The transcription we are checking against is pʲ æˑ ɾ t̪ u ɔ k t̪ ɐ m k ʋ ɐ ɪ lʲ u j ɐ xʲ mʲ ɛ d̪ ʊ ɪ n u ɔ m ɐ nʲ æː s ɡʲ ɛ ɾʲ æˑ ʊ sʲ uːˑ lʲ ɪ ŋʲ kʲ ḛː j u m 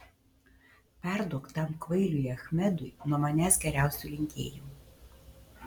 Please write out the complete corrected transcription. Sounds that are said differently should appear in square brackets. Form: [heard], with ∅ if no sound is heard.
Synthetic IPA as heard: pʲ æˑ ɾ [d̪] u ɔ k t̪ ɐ m k ʋ ɐ ɪ lʲ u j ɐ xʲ mʲ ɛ d̪ ʊ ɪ n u ɔ m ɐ nʲ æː s ɡʲ ɛ ɾʲ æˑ ʊ sʲ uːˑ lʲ ɪ ŋʲ kʲ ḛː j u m